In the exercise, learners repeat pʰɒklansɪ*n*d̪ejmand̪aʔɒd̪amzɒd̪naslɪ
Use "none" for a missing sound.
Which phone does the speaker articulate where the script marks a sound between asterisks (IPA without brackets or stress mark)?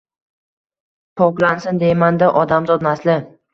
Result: n